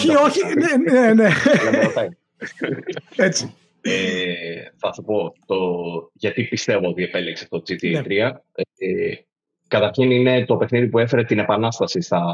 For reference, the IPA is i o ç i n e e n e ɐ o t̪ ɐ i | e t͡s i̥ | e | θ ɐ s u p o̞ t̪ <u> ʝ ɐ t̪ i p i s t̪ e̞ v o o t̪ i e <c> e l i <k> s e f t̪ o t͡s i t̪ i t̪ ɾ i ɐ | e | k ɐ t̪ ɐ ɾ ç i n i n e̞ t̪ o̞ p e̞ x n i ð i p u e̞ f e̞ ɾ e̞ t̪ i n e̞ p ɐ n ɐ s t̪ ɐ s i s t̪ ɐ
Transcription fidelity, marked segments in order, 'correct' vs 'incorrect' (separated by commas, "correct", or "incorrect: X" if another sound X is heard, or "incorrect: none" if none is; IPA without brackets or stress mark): incorrect: o, incorrect: p, correct